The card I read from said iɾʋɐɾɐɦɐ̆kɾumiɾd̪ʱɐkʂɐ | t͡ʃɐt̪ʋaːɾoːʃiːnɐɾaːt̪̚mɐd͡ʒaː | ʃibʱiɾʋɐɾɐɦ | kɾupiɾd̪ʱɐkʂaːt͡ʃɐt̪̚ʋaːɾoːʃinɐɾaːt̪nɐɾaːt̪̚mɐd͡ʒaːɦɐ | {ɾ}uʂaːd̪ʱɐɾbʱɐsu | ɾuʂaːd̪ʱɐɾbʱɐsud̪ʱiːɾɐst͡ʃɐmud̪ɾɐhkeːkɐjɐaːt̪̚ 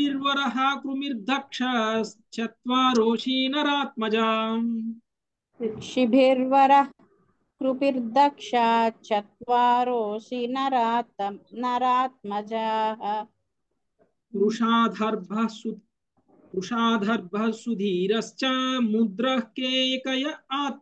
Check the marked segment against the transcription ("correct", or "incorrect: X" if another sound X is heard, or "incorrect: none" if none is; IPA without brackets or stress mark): correct